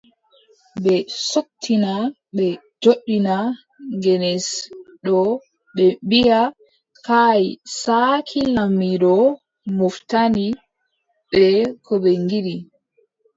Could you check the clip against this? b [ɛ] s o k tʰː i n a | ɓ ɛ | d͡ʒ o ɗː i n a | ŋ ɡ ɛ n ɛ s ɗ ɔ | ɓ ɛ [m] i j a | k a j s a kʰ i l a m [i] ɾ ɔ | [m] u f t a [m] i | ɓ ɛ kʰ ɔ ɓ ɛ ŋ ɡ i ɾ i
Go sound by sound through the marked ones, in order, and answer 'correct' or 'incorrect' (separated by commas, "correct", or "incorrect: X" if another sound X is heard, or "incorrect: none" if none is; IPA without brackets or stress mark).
correct, incorrect: b, correct, correct, incorrect: n